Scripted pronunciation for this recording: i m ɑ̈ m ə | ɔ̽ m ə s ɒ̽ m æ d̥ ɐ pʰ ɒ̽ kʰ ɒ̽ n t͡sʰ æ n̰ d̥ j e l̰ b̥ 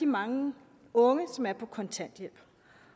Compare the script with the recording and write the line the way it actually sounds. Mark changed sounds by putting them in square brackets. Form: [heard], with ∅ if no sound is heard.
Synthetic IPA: i m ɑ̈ [ŋ] ə | ɔ̽ [ŋ] ə s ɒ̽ m æ [∅] ɐ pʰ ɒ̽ kʰ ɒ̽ n t͡sʰ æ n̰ d̥ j e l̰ b̥